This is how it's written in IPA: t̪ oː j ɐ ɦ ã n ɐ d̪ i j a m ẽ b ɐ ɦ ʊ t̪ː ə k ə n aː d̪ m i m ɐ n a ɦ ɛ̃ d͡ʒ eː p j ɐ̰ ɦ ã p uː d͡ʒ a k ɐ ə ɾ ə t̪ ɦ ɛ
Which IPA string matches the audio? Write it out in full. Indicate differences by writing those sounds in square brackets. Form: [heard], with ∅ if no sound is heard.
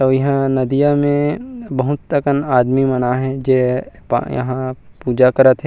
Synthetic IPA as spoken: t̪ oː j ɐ ɦ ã n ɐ d̪ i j a m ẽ b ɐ ɦ ʊ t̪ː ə k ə n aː d̪ m i m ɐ n a ɦ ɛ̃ d͡ʒ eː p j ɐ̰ ɦ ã p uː d͡ʒ a k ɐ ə ɾ ə t̪ ɦ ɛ